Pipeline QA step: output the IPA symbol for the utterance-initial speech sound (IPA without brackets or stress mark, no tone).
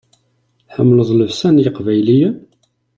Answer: ħ